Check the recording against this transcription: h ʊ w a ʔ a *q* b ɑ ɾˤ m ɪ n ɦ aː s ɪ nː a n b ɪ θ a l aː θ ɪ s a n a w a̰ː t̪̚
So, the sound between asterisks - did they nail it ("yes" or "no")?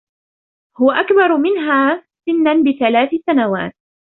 no